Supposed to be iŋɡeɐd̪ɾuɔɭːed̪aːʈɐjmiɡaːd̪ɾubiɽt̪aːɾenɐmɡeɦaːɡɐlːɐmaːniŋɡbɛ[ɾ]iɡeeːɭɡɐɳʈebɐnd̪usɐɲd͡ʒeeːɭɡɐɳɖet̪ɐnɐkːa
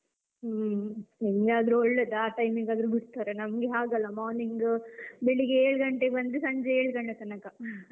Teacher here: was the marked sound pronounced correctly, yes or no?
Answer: no